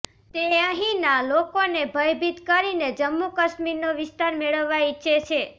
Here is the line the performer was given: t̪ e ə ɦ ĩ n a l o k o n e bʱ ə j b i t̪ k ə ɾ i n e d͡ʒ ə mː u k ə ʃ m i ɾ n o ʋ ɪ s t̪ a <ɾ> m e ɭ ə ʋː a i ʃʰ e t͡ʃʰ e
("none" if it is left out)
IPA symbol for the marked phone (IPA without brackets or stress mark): ɾ